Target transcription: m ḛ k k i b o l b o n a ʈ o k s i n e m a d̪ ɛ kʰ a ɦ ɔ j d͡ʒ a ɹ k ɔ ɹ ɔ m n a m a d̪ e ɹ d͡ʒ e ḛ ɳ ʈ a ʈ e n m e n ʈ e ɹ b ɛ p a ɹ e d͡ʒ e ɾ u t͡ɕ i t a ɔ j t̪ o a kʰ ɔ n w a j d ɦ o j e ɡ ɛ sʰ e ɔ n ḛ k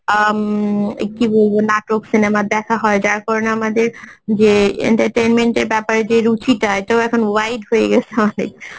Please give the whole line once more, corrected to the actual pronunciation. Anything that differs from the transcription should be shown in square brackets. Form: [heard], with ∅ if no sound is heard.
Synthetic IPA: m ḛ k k i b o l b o n a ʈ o k s i n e m a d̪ ɛ kʰ a ɦ ɔ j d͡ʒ a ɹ k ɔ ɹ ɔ [∅] n a m a d̪ e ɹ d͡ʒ e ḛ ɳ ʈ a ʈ e n m e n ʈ e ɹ b ɛ p a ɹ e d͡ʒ e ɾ u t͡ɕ i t a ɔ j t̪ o [ɛ] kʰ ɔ n w a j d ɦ o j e ɡ ɛ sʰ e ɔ n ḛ k